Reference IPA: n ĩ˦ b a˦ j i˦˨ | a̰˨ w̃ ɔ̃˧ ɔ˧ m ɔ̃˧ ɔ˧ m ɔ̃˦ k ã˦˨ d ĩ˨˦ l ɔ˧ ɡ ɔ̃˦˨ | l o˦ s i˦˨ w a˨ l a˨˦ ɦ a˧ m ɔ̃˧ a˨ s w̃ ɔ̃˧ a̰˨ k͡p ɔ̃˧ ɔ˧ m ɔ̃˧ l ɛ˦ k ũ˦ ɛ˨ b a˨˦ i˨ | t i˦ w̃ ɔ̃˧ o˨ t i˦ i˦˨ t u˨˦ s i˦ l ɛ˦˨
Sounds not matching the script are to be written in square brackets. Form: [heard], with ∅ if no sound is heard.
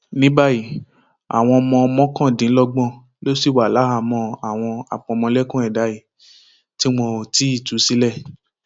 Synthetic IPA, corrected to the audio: n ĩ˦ b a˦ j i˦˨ | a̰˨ w̃ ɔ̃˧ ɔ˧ m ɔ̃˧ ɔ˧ m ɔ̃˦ k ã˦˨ d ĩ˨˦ l ɔ˧ [ɡ͡b] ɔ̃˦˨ | l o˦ s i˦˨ w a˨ l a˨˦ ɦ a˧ m ɔ̃˧ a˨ [∅] w̃ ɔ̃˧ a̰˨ k͡p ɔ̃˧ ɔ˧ m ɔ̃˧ l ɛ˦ k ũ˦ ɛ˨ [d] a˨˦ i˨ | t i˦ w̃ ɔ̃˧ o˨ t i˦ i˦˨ t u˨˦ s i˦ l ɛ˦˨